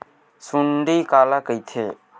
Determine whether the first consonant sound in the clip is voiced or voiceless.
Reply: voiceless